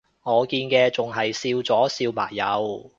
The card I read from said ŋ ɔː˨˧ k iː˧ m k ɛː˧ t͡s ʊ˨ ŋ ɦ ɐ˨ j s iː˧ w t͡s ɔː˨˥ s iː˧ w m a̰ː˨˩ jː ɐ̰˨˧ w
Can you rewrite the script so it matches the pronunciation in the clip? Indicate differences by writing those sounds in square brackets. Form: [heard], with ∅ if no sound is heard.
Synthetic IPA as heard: ŋ ɔː˨˧ k iː˧ [n] k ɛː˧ t͡s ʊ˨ ŋ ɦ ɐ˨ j s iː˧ w t͡s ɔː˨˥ s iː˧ w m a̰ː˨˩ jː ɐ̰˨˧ w